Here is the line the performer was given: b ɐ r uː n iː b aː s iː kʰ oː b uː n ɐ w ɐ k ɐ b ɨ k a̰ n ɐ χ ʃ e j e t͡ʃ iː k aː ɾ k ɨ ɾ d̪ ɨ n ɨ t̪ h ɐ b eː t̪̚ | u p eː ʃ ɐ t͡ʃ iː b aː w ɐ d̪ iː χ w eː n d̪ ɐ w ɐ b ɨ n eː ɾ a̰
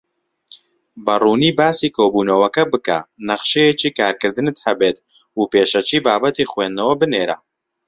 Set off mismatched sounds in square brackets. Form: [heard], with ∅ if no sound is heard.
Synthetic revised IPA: b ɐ r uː n iː b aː s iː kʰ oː b uː n ɐ w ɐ k ɐ b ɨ k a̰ n ɐ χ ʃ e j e t͡ʃ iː k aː ɾ k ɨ ɾ d̪ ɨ n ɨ t̪ h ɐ b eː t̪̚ | u p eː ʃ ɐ t͡ʃ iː b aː [b] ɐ [t̪] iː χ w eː n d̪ ɐ w ɐ b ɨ n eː ɾ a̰